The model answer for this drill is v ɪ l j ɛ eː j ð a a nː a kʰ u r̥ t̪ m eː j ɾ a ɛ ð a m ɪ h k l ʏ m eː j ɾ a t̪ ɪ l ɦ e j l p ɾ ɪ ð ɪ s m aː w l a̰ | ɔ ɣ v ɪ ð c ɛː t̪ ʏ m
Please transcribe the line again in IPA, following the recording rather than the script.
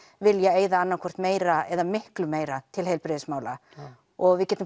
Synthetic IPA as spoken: v ɪ l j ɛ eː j ð a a nː a kʰ ɔ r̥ t̪ m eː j ɾ a ɛ ð a m ɪ h k l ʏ m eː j ɾ a t̪ʰ ɪ l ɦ e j l p ɾ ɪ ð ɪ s m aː w l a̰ | ɔ ɣ v ɪ ð c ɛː t̪ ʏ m